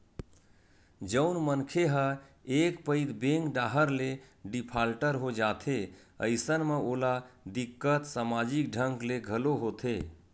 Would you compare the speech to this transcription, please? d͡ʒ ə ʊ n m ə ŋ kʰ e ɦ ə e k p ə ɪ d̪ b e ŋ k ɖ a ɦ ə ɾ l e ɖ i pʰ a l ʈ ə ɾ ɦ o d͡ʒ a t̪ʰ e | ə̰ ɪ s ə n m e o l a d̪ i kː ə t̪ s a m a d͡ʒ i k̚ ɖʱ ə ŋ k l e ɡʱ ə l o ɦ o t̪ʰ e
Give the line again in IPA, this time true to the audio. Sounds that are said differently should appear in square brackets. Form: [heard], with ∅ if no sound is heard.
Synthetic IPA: d͡ʒ ə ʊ n m ə [n] kʰ e ɦ ə e k p ə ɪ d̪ b e ŋ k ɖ a ɦ ə ɾ l e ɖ i pʰ a l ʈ ə ɾ ɦ o d͡ʒ a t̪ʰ e | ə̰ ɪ s ə n m e o l a d̪ i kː ə t̪ s a m a d͡ʒ i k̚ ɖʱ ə ŋ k l e ɡʱ ə l o ɦ o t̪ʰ e